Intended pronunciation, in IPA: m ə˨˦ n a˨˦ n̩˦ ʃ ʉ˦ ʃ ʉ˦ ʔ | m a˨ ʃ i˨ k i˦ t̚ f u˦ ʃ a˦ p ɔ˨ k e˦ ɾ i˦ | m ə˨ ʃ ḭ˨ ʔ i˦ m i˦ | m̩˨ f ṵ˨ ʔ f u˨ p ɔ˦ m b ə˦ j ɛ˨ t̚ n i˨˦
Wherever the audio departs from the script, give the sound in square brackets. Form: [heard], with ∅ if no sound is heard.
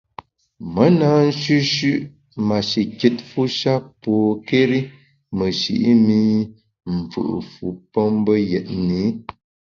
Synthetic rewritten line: m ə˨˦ n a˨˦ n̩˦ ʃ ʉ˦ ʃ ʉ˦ ʔ | m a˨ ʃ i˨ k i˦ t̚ f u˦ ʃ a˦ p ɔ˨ k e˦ ɾ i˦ | m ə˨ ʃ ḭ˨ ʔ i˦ m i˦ | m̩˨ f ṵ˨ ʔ f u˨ p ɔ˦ m b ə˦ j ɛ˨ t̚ n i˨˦